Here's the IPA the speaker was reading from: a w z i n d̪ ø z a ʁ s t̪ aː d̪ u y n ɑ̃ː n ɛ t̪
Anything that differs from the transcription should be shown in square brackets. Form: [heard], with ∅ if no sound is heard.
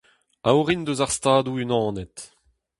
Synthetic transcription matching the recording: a w [ʁ] i n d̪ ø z a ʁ s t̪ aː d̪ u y n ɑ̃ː n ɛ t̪